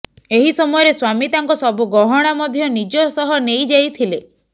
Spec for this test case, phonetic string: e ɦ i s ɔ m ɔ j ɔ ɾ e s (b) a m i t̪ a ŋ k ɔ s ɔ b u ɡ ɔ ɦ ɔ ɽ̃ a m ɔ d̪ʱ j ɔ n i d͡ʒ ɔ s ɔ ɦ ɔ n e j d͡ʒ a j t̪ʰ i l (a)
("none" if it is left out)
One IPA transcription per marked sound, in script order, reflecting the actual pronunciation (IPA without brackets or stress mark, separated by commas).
w, e